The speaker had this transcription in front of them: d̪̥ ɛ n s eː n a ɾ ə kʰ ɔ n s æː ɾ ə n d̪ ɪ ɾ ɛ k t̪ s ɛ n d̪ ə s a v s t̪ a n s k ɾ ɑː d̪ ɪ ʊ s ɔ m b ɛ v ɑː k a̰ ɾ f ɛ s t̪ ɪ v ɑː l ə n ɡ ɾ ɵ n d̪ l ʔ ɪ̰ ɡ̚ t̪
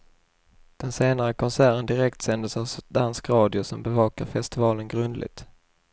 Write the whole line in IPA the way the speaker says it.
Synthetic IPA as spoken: d̪̥ ɛ n s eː n a ɾ ə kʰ ɔ n s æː ɾ ə n d̪ ɪ ɾ ɛ k t̪ s ɛ n d̪ ə s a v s d̪ a n s k ɾ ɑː d̪ ɪ ʊ s ɔ m b ɛ v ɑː k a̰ ɾ f ɛ s t̪ ɪ v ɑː l ə n ɡ ɾ ɵ n d̪ l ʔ ɪ̰ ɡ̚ t̪